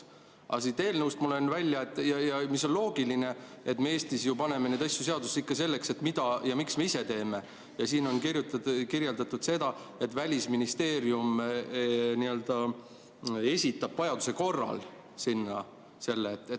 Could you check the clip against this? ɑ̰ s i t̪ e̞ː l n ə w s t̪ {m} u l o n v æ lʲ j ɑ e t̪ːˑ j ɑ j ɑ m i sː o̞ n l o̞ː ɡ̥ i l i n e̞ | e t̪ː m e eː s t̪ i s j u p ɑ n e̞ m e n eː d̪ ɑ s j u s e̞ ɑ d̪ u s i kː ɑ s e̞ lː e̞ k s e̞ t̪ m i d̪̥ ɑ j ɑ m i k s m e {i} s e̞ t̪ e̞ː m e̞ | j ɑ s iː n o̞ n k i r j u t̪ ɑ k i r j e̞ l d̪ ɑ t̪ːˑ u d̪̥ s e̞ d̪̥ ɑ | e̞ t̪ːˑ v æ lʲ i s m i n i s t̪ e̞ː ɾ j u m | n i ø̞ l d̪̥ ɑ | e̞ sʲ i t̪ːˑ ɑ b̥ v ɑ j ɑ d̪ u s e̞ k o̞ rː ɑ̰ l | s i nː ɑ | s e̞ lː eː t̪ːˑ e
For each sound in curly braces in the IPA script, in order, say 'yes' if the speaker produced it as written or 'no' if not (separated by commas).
yes, yes